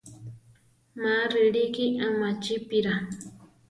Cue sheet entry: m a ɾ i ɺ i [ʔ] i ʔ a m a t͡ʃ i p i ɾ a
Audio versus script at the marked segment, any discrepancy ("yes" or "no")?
yes